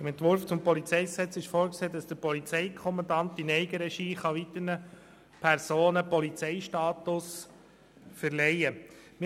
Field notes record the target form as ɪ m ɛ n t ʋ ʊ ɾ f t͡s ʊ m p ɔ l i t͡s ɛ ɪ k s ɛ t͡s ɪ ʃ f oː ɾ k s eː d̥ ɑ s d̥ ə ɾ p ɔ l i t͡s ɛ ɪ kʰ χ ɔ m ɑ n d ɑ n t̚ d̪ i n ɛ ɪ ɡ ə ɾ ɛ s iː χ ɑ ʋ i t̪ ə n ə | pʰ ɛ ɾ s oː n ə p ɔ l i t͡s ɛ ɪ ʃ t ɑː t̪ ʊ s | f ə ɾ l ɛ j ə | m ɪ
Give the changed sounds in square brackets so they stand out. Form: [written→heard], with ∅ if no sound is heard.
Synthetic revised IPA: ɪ m ɛ n t ʋ ʊ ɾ f t͡s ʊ m p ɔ l i t͡s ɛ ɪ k s ɛ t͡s ɪ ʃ f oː ɾ k s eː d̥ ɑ s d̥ ə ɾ p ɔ l i t͡s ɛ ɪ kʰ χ ɔ m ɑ n d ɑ n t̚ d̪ i n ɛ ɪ ɡ ə ɾ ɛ [s→ʃ] iː χ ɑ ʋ i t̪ ə n ə | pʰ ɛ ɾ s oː n ə p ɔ l i t͡s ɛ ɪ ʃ t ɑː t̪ ʊ s | f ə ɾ l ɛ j ə | m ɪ

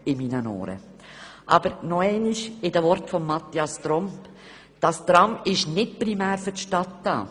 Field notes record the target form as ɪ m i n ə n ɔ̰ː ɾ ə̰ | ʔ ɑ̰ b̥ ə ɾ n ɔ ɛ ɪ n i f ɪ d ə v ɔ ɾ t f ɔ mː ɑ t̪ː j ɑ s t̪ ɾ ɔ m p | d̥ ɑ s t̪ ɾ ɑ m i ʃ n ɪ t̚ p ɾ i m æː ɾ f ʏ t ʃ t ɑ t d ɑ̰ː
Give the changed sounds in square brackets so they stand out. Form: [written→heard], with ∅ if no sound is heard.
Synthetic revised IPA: ɪ m i n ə n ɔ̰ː ɾ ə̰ | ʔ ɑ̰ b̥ ə ɾ n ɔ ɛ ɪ n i [f→ʃ] ɪ d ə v ɔ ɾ t f ɔ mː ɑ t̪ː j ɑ s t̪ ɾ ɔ m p | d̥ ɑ s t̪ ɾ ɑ m [i→ɪ] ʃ n ɪ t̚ p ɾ i m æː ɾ f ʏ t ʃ t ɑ t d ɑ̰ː

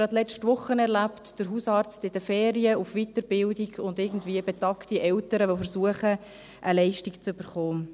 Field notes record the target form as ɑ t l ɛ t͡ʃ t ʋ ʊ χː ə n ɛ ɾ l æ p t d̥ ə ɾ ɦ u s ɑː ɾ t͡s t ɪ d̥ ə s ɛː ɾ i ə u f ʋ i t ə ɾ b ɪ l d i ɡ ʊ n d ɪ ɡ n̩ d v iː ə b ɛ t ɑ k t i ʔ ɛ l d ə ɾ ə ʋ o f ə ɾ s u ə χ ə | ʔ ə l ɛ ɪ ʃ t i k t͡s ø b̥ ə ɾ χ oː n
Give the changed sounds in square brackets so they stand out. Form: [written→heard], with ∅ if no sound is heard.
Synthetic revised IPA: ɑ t l ɛ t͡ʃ t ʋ ʊ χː ə n ɛ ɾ l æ p t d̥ ə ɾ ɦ u s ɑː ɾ t͡s t ɪ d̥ ə [s→f] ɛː ɾ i ə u f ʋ i t ə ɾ b ɪ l d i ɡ ʊ n d ɪ ɡ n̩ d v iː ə b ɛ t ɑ k t i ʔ ɛ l [d→t] ə ɾ ə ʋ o f ə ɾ s u ə χ ə | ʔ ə l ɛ ɪ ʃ t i k t͡s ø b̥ ə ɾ χ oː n

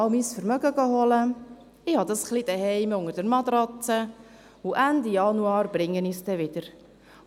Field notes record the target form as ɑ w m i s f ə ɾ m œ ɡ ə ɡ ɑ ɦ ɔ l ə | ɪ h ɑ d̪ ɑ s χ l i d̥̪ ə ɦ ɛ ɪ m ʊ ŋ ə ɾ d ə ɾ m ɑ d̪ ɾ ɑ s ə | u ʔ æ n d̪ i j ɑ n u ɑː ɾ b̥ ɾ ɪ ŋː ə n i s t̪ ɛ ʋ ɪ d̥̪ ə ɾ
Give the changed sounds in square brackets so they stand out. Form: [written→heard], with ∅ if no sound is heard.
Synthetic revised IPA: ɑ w m i s f ə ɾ m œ ɡ ə ɡ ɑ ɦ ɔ l ə | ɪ h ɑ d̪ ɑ s χ l i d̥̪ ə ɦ ɛ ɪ m ʊ ŋ ə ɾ d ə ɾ m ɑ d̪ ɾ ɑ [s→t͡s] ə | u ʔ æ n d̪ i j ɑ n u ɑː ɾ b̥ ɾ ɪ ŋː ə n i s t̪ ɛ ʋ ɪ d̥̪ ə ɾ

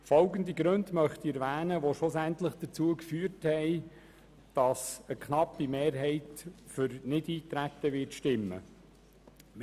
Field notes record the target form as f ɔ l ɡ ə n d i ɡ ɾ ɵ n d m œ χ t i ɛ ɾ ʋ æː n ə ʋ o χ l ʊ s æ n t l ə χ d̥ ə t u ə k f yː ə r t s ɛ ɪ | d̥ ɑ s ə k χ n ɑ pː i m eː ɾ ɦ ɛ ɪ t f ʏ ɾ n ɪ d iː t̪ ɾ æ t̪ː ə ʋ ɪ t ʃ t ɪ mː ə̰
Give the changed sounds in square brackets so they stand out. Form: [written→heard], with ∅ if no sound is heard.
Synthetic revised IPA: f ɔ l ɡ ə n d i ɡ ɾ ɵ n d m œ χ t i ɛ ɾ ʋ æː n ə ʋ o [χ→ʃ] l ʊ s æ n t l ə χ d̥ ə [t→t͡s] u ə k f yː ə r t [s→h] ɛ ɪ | d̥ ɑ s ə k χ n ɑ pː i m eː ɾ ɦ ɛ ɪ t f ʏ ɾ n ɪ d iː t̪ ɾ æ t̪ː ə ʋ ɪ t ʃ t ɪ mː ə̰

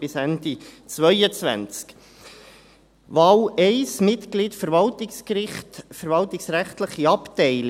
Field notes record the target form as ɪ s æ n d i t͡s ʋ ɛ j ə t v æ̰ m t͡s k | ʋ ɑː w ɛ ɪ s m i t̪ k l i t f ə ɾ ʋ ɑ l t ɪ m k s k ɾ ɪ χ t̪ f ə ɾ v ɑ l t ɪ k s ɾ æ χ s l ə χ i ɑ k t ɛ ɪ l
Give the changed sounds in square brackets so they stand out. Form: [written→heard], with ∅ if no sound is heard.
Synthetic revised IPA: ɪ s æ n d i t͡s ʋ [ɛ→œ] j ə [t→t͡s] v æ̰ [m→n] t͡s k | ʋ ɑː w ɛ ɪ s m [i→ɪ] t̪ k l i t f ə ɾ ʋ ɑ l t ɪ [m→∅] k s k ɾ ɪ χ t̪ f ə ɾ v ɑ l t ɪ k s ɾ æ χ [s→t] l ə χ i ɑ [k→p] t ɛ ɪ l

